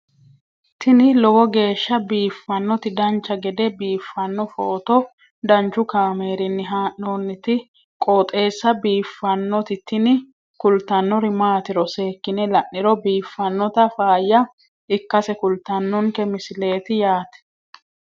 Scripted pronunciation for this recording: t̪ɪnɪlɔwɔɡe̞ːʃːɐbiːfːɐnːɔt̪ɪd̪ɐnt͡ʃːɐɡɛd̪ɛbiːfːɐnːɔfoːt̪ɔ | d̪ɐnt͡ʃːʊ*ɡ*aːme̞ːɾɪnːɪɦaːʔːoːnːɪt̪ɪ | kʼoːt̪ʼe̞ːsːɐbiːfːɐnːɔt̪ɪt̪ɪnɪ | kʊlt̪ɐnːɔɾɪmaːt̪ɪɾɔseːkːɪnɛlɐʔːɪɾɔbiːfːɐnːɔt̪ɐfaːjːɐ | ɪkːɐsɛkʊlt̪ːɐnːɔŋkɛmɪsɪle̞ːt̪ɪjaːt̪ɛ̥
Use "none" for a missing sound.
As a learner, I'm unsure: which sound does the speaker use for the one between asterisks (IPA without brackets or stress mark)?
k